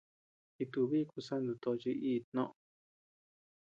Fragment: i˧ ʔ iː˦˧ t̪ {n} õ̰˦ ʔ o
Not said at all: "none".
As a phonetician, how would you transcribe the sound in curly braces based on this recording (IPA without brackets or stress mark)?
n